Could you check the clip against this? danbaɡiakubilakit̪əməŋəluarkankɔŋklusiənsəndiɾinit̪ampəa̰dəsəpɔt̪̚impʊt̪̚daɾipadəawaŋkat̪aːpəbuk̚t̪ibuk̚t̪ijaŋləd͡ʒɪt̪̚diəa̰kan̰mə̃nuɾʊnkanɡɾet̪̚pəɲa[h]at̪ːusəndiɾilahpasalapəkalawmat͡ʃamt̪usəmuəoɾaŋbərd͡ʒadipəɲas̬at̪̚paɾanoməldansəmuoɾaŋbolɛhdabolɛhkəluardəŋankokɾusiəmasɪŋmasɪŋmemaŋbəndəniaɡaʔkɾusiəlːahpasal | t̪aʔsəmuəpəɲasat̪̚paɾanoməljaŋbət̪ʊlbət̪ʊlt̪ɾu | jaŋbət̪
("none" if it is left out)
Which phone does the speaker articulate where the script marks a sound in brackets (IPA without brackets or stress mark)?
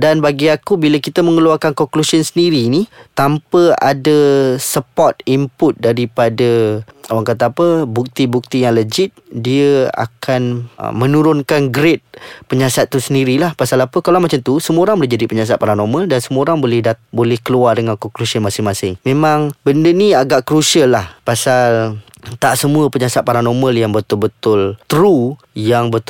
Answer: s